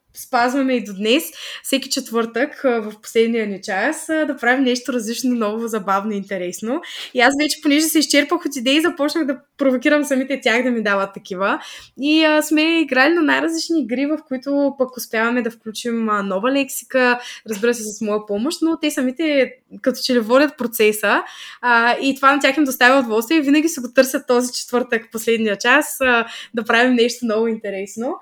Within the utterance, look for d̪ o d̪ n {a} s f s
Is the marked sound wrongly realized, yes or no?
yes